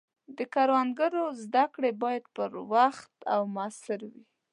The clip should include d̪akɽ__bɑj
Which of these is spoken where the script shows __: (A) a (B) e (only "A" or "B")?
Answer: B